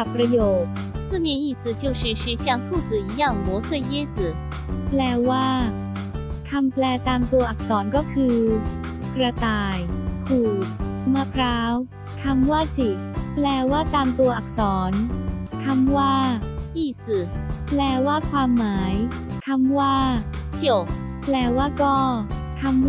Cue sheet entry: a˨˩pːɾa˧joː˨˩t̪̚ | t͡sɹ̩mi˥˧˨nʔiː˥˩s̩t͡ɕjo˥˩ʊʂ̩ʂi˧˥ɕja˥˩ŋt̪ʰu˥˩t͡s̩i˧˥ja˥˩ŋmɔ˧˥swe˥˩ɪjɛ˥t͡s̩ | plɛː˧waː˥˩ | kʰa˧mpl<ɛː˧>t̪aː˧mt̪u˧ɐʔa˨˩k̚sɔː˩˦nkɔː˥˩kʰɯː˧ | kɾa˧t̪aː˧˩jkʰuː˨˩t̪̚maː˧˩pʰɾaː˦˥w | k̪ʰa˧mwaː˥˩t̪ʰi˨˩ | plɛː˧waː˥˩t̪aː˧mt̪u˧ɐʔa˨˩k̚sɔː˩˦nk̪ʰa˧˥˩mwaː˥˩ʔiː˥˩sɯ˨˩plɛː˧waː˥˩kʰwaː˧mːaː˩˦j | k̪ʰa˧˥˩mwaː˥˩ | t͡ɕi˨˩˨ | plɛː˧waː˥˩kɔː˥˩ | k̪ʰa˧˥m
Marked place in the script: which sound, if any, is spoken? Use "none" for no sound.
ɛː˧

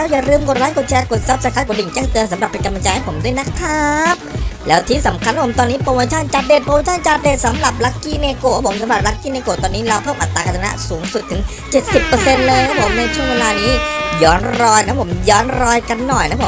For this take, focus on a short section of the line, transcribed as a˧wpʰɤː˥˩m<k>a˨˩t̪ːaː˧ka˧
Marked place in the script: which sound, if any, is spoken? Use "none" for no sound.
ʔ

